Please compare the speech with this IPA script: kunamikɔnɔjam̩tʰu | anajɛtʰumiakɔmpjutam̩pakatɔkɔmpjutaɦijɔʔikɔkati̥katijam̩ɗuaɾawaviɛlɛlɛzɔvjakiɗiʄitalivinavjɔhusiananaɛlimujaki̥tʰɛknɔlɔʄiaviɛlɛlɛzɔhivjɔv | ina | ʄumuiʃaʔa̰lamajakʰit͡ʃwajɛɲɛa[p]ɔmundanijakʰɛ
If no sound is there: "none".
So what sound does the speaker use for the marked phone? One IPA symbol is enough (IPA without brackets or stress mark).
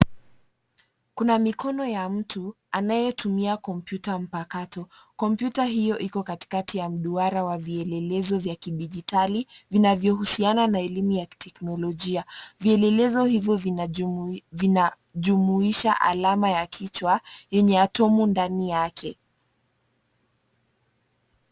t